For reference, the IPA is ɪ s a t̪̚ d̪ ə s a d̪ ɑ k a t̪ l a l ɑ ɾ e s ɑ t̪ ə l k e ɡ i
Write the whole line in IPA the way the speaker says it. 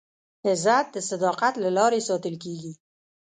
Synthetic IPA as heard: ɪ z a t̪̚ d̪ ə s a d̪ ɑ q a t̪ l a l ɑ ɾ e s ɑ t̪ ə l k e ɡ i

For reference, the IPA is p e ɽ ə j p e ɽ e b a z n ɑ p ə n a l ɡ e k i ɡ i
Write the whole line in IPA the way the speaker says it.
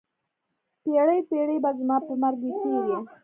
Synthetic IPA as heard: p e ɽ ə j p e ɽ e b a z m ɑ p ə m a ɾ ɡ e k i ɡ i

